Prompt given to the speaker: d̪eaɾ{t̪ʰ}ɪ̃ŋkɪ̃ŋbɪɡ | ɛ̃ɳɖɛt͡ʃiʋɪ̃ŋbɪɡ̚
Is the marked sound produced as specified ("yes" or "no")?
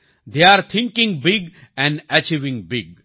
yes